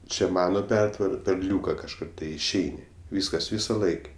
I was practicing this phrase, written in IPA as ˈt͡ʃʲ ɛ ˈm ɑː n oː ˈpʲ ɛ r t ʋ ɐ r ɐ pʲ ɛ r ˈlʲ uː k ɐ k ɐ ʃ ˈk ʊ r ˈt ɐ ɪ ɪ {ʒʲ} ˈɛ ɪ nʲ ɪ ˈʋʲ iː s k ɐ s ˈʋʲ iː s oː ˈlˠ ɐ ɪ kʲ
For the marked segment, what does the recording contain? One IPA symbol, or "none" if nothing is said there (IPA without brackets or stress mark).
ʃʲ